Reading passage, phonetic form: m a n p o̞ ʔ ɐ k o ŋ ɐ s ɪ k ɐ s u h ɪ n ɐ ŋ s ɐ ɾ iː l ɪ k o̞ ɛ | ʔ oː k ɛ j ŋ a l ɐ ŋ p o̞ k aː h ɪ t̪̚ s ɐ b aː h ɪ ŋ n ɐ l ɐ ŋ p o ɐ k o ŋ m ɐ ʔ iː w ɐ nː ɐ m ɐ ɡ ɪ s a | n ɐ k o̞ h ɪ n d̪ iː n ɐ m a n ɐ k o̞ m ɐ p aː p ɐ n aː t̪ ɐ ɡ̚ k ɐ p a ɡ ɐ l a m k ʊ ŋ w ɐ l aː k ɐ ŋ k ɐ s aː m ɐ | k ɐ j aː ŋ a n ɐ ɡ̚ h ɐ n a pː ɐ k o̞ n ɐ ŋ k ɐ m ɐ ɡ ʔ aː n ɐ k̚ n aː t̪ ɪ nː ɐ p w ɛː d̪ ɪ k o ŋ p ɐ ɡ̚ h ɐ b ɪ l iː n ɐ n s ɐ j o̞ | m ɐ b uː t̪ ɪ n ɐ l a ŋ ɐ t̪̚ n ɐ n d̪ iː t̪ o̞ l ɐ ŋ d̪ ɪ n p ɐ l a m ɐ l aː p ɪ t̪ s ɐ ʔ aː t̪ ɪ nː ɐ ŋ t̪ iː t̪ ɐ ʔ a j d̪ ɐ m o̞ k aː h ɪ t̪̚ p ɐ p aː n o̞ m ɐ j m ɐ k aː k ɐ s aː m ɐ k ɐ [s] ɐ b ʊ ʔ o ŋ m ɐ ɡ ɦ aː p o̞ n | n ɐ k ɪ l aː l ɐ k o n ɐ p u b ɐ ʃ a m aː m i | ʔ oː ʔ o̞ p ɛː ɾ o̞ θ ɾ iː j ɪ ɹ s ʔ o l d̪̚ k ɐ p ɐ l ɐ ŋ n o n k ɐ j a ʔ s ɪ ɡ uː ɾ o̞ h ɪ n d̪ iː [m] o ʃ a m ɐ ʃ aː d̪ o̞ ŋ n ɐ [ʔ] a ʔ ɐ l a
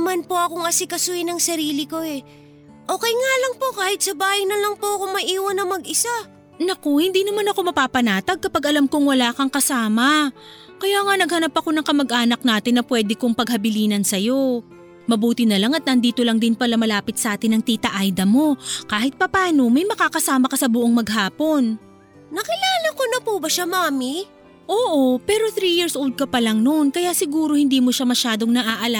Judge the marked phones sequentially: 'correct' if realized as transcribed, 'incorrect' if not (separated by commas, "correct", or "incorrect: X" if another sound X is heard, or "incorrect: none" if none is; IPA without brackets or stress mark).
correct, correct, correct